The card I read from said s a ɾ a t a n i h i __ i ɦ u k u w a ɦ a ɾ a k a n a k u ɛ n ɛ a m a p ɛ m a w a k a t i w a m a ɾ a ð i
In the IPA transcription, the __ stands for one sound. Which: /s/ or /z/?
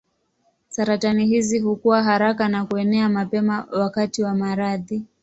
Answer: z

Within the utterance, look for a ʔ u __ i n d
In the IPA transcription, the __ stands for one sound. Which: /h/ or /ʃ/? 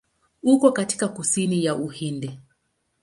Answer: h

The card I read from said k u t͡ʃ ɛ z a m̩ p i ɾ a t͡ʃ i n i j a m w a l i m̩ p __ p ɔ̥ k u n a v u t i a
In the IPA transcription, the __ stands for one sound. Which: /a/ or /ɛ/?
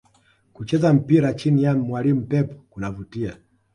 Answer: ɛ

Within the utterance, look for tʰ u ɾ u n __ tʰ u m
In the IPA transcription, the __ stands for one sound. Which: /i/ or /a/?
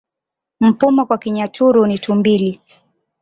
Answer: i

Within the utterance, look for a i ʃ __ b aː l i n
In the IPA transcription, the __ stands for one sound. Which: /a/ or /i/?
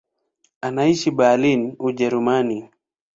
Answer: i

